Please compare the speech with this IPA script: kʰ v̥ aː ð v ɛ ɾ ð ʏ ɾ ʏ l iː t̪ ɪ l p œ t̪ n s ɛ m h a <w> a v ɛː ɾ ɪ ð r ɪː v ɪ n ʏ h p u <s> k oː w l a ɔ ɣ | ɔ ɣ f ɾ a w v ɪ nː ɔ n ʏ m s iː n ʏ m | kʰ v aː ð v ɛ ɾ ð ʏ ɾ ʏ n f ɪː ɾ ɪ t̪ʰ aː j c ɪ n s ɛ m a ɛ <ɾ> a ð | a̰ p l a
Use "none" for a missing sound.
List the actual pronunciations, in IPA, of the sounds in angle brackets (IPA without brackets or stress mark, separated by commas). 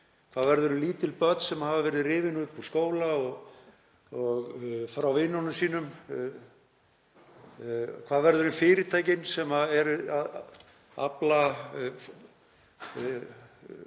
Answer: v, s, ɾ